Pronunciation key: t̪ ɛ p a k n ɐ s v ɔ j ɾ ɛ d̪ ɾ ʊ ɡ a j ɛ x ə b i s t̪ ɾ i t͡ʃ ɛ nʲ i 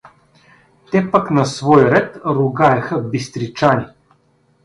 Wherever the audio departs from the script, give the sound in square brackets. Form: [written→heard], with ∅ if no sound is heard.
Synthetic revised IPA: t̪ ɛ p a k n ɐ s v ɔ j ɾ ɛ [d̪→t̪] ɾ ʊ ɡ a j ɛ x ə b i s t̪ ɾ i t͡ʃ [ɛ→a] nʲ i